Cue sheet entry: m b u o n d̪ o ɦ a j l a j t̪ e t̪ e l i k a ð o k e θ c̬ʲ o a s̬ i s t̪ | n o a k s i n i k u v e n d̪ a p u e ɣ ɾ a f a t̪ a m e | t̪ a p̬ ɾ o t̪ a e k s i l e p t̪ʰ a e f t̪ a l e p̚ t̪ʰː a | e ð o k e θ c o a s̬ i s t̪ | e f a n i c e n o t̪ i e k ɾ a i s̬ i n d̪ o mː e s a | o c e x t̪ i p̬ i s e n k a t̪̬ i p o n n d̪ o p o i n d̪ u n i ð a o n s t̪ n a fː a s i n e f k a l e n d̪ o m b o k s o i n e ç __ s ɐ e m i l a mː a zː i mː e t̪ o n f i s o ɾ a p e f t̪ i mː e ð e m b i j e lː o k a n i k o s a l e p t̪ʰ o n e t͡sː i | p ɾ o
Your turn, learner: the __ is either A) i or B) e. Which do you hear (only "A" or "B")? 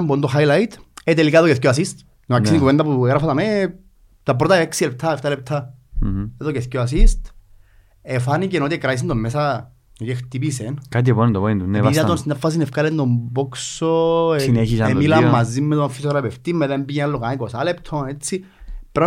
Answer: A